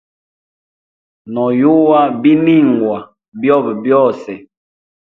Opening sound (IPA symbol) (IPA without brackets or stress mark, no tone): n